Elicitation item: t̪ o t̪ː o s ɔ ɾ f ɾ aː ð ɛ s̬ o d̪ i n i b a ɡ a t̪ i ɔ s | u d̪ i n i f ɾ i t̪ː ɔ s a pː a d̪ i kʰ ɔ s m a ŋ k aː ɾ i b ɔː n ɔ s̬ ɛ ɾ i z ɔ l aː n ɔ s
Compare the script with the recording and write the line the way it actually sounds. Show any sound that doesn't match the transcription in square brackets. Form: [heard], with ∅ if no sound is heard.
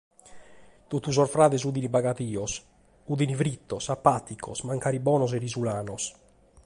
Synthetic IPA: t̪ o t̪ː [u] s ɔ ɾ f ɾ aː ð ɛ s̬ [u] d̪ i n i b a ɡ a t̪ [iː] ɔ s | u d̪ i n i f ɾ i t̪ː ɔ s a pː a [t̪] i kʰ ɔ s m a ŋ k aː ɾ i b ɔː n ɔ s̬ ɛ ɾ i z [u] l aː n ɔ s